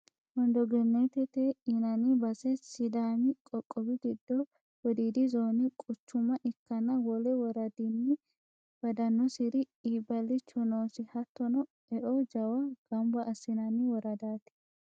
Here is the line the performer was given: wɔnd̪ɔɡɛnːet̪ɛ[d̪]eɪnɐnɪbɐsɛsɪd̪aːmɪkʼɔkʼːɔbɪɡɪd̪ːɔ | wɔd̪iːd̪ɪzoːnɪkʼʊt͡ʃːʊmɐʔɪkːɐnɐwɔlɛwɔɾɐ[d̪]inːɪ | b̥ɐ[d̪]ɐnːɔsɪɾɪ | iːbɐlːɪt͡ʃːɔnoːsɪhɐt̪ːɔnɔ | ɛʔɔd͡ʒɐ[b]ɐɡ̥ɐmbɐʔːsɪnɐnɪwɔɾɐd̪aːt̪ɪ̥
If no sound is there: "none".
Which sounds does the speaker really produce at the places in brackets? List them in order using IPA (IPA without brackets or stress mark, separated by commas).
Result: t̪, d̪, d̪, w